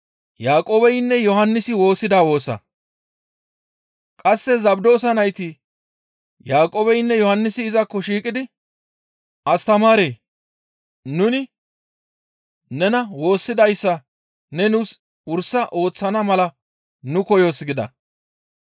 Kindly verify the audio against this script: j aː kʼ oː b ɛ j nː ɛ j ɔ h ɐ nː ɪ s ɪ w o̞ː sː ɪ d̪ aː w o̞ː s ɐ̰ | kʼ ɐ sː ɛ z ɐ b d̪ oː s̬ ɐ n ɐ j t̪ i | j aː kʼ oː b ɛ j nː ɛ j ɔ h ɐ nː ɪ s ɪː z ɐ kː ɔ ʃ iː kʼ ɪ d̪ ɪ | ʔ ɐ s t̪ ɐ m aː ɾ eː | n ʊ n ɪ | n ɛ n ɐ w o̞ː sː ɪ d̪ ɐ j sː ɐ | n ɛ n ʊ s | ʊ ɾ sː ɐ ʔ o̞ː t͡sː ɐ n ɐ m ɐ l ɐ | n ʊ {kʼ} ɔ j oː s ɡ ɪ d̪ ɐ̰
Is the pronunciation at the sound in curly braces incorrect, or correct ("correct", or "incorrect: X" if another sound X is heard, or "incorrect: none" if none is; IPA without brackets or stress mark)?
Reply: incorrect: k